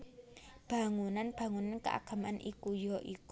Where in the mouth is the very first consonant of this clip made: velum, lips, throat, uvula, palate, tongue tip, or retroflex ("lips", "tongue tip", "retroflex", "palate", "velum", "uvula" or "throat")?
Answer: lips